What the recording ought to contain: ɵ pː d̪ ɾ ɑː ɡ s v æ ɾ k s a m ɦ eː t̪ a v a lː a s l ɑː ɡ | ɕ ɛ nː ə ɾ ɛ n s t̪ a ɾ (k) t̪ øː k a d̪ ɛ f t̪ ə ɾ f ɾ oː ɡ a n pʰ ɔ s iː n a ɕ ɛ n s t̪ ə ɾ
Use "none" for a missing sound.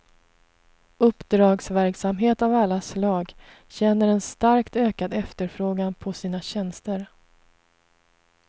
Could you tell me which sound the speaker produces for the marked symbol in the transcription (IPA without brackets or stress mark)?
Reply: k